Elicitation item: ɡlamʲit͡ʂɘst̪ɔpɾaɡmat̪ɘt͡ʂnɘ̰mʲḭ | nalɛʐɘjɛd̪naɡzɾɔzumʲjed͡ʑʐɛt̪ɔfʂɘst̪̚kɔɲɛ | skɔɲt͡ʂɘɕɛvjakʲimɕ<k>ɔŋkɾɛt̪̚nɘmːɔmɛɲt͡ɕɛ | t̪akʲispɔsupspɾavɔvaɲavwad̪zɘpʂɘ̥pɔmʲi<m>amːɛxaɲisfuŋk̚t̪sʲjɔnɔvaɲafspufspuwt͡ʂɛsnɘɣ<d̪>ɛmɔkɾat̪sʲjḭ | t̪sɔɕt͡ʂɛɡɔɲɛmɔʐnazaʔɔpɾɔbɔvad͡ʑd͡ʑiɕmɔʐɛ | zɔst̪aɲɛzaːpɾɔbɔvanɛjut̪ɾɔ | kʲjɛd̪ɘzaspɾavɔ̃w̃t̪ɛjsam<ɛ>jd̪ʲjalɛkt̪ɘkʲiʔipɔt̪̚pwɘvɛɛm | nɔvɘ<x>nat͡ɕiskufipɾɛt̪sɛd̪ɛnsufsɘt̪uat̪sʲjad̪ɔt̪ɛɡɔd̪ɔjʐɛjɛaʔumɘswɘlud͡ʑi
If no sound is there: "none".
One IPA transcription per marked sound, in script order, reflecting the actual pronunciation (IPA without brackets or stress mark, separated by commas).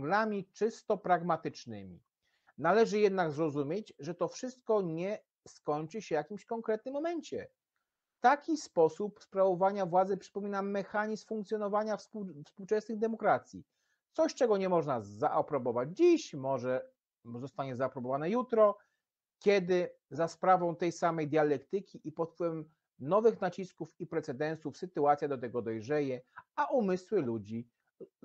k, n, d̪, ɛ, x